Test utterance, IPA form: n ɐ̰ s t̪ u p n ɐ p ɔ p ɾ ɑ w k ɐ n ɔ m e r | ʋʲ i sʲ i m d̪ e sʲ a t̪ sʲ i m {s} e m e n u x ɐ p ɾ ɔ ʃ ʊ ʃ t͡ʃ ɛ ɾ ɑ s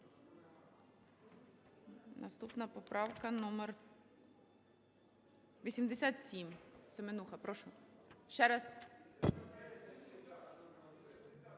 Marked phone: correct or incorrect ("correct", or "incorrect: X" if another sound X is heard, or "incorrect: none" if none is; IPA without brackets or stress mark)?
correct